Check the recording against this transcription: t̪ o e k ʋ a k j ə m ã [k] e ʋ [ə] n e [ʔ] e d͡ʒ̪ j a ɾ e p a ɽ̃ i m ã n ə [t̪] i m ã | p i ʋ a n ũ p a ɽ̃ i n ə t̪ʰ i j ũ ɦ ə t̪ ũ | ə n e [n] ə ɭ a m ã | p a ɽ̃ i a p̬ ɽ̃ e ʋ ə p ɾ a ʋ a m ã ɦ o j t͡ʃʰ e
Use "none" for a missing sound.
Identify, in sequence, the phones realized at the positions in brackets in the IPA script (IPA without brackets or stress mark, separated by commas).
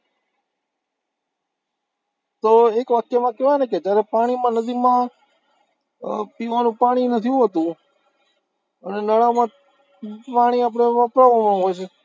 k, a, k, d̪, n